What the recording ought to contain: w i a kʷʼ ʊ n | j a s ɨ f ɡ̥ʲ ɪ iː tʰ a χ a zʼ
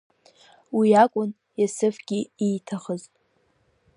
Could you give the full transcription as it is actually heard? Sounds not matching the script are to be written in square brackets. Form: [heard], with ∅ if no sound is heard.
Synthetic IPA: w i a kʷʼ ʊ n | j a s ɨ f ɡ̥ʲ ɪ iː tʰ a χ [ə] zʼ